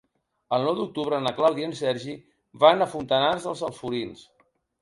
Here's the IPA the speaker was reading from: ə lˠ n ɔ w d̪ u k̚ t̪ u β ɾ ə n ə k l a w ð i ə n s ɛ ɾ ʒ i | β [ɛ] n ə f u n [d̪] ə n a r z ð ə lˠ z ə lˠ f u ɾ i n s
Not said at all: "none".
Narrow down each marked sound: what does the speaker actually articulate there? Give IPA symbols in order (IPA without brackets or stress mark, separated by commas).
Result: a, t̪